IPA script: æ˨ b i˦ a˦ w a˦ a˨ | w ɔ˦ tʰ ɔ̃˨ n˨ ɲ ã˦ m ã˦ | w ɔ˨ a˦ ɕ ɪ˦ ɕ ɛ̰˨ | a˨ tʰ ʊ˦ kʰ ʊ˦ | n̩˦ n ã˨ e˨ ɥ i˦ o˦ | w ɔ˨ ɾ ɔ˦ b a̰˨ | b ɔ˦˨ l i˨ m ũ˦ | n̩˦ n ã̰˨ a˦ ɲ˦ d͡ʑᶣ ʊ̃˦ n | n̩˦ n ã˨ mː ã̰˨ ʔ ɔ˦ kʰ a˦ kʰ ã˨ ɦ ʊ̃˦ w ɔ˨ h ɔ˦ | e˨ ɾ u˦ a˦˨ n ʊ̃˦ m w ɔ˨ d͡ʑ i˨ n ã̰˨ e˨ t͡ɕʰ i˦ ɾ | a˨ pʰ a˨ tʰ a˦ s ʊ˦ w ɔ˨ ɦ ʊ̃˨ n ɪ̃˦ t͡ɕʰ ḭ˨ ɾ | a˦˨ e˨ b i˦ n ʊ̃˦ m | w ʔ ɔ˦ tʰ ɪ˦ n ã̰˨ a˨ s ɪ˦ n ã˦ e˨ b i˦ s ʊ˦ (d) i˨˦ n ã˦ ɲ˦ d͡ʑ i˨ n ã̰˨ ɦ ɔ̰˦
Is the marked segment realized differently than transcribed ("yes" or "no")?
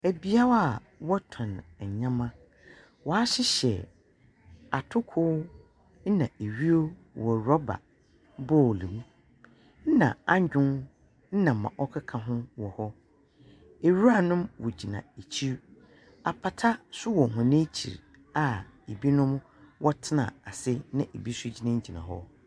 yes